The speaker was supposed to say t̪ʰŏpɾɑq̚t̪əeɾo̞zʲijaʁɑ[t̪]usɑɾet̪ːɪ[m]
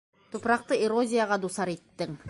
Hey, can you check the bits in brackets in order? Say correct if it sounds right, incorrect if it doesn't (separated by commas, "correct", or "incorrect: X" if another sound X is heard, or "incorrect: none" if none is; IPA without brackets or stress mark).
incorrect: d̪, incorrect: ŋ